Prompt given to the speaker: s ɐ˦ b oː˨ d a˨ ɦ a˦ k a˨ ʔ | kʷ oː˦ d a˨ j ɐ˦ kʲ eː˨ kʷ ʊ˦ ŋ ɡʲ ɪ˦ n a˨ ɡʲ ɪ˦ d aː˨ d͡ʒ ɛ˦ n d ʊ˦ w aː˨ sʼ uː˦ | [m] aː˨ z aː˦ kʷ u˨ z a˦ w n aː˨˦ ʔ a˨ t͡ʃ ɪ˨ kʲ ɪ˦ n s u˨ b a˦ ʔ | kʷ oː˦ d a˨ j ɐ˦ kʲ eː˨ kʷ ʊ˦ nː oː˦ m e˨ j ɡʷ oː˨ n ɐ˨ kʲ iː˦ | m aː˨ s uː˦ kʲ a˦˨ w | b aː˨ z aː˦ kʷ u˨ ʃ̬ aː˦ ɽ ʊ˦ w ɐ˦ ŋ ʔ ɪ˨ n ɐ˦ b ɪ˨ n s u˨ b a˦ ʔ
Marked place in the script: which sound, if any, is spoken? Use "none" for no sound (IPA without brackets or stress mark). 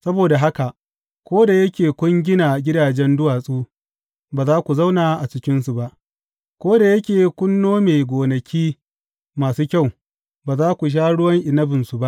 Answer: b